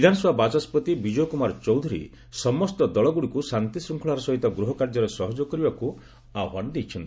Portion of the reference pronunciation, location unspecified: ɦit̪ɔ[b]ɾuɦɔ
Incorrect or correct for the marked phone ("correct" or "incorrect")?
incorrect